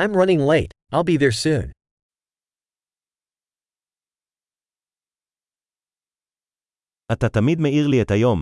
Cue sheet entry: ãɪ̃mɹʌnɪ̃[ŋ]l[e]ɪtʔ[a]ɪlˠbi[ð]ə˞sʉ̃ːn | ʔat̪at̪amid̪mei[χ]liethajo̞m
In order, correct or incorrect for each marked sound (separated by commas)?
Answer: correct, correct, correct, correct, incorrect